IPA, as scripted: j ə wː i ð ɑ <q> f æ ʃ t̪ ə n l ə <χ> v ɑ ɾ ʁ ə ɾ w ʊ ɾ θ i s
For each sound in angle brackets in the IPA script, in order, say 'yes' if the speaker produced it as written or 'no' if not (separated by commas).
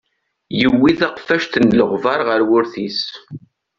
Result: yes, no